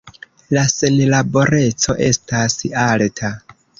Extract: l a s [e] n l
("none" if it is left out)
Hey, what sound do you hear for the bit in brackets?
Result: e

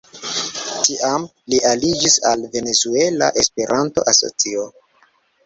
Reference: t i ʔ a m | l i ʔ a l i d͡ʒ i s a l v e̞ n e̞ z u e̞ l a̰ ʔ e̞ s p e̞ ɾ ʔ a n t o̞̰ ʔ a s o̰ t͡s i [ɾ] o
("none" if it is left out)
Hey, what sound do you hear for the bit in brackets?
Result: none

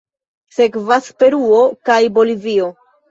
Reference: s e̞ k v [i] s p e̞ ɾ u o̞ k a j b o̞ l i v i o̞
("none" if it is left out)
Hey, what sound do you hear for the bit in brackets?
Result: a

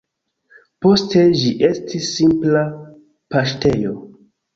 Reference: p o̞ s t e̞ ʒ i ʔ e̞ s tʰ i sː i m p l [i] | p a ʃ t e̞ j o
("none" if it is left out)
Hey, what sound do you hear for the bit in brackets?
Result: a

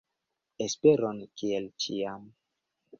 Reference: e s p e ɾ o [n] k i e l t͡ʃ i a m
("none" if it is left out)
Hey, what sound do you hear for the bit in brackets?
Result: n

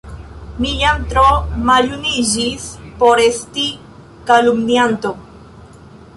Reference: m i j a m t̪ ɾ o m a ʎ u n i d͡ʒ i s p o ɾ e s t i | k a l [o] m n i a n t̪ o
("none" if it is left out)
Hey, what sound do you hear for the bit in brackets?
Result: u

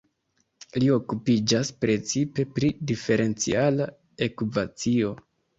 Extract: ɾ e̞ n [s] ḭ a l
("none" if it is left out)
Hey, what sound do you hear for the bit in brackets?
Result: t͡s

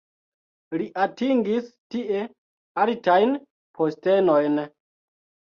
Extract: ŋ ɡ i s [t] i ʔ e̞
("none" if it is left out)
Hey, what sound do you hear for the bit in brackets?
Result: t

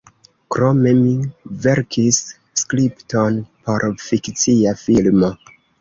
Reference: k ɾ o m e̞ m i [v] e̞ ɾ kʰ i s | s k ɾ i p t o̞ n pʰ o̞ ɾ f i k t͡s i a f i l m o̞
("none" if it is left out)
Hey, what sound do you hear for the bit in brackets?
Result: v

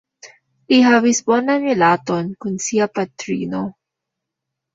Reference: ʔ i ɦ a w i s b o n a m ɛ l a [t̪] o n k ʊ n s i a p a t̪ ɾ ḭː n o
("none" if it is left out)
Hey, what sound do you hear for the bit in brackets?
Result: t̪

